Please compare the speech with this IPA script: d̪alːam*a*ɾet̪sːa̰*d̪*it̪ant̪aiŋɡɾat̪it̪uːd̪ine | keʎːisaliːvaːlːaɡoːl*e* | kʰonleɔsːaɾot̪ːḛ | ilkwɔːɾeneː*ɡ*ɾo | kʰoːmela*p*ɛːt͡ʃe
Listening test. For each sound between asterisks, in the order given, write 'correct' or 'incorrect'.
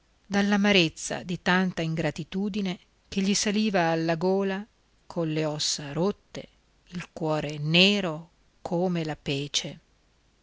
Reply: correct, correct, incorrect: a, incorrect: none, correct

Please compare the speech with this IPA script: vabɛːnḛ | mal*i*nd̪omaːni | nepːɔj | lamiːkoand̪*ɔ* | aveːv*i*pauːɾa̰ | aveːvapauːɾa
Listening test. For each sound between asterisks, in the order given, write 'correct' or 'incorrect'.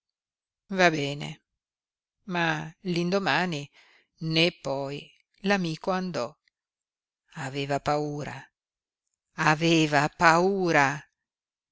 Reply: correct, correct, incorrect: a

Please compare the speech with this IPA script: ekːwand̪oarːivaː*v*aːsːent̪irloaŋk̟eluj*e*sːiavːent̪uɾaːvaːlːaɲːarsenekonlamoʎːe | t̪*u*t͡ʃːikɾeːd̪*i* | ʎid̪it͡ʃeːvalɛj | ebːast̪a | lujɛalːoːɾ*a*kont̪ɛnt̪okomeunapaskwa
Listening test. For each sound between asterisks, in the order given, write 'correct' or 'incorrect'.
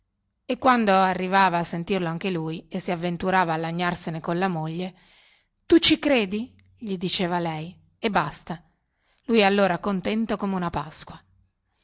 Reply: correct, correct, correct, correct, correct

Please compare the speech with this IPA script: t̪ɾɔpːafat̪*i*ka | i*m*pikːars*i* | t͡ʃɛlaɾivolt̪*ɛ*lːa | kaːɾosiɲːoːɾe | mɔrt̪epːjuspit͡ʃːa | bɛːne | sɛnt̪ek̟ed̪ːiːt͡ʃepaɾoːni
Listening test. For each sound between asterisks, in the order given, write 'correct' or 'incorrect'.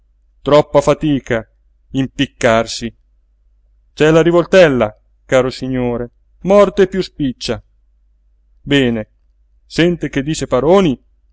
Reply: incorrect: iː, correct, correct, correct

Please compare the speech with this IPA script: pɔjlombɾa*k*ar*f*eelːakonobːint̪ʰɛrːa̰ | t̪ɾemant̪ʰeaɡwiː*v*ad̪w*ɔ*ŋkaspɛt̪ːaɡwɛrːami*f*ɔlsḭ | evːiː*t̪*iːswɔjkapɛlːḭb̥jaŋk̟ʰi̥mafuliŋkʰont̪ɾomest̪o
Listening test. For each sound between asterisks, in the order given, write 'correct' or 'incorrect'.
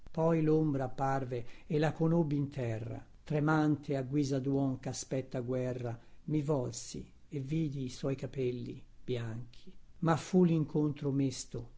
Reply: incorrect: p, incorrect: v, incorrect: z, correct, incorrect: v, incorrect: d̪

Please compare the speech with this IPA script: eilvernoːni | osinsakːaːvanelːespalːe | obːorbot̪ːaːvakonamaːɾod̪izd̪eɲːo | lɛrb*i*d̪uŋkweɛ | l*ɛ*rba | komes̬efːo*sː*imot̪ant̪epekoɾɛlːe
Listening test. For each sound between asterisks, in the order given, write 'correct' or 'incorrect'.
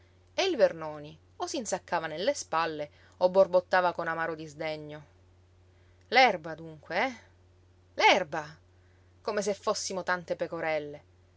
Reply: incorrect: a, correct, correct

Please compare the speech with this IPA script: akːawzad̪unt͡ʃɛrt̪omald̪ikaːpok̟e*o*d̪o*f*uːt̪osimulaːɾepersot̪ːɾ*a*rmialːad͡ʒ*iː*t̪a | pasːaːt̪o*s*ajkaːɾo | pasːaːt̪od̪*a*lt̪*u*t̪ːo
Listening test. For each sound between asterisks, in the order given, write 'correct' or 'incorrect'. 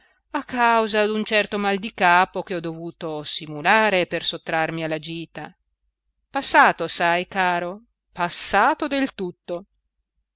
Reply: incorrect: ɔ, incorrect: v, correct, correct, correct, incorrect: e, correct

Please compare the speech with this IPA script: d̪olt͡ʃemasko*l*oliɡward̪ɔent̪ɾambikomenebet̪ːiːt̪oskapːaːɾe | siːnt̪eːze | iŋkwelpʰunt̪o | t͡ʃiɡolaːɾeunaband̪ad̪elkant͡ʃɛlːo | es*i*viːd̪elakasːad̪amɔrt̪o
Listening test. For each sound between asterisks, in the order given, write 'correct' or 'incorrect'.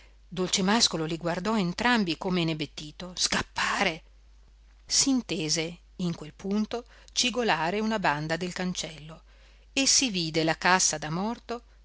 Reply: correct, correct

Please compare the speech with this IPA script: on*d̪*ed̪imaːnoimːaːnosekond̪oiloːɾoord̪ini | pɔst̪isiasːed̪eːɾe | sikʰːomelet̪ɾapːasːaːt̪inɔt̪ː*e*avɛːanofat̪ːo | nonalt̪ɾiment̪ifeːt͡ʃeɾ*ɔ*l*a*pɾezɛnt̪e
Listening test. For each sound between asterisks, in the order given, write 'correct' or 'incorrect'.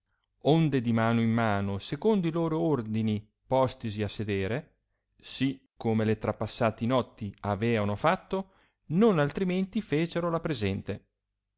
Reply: correct, incorrect: i, incorrect: o, correct

